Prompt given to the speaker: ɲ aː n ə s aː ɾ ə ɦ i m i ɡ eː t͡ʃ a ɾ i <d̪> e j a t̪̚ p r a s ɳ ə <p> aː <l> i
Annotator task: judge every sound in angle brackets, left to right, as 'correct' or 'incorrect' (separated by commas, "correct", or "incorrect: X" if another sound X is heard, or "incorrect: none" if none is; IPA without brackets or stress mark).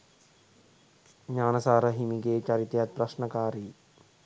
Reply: incorrect: t̪, incorrect: k, incorrect: ɾ